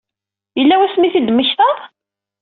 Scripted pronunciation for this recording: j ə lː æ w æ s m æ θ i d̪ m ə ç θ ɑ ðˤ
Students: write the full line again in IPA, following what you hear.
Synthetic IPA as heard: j ə lː æ w æ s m i θ i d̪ m ə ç θ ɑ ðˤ